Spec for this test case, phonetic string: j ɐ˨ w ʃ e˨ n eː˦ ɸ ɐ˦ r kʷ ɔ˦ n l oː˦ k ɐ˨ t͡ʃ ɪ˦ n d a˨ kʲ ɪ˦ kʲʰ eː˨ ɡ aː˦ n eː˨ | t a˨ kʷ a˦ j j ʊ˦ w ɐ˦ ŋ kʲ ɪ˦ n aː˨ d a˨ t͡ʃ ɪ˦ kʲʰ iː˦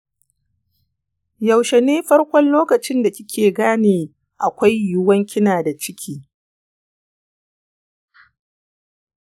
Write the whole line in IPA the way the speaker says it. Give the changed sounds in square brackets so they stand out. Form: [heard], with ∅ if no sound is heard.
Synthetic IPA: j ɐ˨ w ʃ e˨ n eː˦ ɸ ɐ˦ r kʷ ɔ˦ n l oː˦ k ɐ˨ t͡ʃ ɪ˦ n d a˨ kʲ ɪ˦ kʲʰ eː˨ ɡ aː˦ n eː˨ | [ʔ] a˨ kʷ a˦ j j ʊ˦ w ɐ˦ ŋ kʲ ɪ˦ n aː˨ d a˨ t͡ʃ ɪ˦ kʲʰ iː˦

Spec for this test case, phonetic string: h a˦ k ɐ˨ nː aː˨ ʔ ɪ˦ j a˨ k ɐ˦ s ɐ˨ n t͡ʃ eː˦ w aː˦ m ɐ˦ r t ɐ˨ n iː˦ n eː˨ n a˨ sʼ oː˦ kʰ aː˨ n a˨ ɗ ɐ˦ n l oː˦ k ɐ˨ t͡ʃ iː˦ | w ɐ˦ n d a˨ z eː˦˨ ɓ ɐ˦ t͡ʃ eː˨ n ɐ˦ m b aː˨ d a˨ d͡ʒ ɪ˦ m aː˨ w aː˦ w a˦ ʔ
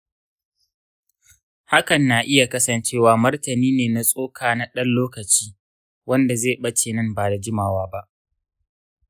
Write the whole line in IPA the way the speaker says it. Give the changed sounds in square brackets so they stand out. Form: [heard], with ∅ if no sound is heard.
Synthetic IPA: h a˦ k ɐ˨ nː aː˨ ʔ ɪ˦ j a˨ k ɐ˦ s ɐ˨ n t͡ʃ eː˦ w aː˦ m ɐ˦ r t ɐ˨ n iː˦ n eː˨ n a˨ sʼ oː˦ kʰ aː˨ n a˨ ɗ ɐ˦ n l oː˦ k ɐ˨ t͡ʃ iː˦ | w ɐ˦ n d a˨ z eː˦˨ ɓ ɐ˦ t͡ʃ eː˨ n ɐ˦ m b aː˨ d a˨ d͡ʒ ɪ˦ m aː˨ w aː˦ [b] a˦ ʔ

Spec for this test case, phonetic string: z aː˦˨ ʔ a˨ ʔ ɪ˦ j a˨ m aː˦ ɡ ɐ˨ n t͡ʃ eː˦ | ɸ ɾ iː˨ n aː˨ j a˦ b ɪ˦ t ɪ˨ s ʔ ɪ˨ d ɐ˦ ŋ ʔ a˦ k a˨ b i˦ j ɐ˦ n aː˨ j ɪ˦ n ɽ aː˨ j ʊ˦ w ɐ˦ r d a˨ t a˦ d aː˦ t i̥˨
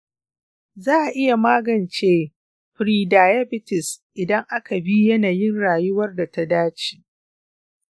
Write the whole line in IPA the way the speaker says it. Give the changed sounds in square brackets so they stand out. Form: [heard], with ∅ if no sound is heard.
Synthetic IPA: z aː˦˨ ʔ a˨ ʔ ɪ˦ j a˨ m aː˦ ɡ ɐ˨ n t͡ʃ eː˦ | ɸ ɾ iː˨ [d] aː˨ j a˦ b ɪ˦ t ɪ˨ s ʔ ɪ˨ d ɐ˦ ŋ ʔ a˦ k a˨ b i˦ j ɐ˦ n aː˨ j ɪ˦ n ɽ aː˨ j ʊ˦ w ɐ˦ r d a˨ t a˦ d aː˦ [t͡ʃ] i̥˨

